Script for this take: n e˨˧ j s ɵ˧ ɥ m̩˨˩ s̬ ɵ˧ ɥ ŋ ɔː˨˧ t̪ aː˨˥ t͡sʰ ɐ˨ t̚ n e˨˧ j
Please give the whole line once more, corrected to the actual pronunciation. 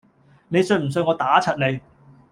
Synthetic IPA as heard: n e˨˧ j s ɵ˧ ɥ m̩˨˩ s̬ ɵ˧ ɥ ŋ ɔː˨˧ t̪ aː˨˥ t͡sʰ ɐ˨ t̚ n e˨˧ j